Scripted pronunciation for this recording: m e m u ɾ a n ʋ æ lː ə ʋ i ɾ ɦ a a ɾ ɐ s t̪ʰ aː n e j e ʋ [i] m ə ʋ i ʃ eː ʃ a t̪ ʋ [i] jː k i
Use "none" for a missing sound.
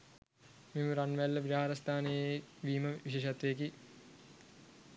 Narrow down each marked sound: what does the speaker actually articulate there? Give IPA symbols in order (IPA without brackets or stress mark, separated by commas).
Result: iː, e